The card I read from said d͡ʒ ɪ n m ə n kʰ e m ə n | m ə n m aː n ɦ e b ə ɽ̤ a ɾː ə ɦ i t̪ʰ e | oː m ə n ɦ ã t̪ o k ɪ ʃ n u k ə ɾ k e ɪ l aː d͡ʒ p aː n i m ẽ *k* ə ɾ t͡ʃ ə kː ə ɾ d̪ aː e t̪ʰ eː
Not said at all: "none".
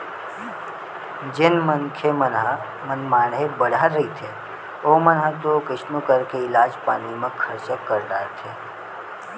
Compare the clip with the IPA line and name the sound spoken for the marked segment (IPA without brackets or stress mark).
kʰ